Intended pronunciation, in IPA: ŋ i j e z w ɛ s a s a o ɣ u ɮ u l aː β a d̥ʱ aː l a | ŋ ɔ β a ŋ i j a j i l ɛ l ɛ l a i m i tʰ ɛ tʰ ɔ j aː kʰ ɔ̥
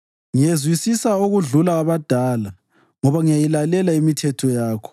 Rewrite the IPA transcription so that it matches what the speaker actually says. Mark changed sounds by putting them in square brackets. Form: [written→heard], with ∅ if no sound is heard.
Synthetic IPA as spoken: ŋ i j e z w [ɛ→i] s [a→i] s a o ɣ u ɮ u l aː β a d̥ʱ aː l a | ŋ ɔ β a ŋ i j a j i l [ɛ→a] l ɛ l a i m i tʰ ɛ tʰ ɔ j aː kʰ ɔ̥